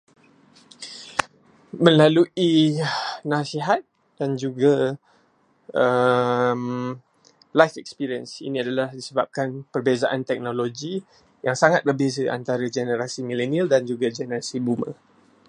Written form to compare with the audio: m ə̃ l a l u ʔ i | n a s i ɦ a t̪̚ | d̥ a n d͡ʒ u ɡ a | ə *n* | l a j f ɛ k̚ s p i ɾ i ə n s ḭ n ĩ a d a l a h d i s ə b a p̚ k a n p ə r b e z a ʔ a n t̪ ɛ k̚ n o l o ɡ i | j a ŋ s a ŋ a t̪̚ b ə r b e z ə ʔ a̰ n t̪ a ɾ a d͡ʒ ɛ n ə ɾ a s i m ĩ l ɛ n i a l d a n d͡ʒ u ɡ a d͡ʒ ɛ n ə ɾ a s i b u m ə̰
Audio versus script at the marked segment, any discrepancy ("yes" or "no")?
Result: yes